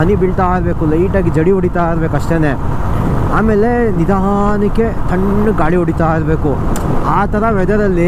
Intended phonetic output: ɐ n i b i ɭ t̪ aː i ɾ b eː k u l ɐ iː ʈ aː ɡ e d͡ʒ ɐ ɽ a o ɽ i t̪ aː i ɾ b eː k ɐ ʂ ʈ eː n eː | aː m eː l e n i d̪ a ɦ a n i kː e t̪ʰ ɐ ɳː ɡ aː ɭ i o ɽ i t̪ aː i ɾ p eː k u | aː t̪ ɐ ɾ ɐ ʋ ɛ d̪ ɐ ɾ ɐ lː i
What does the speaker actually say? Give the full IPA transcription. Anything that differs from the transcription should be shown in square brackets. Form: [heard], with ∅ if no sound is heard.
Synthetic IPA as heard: ɐ n i b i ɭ t̪ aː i ɾ b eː k u l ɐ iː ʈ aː ɡ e d͡ʒ ɐ ɽ [i] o ɽ i t̪ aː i ɾ b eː k ɐ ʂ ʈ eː n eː | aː m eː l e n i d̪ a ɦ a n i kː e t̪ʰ ɐ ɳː ɡ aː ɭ i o ɽ i t̪ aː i ɾ [b] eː k u | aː t̪ ɐ ɾ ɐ ʋ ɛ d̪ ɐ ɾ ɐ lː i